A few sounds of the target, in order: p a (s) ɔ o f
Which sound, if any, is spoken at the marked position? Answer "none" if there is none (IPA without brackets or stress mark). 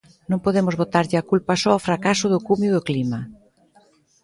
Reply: s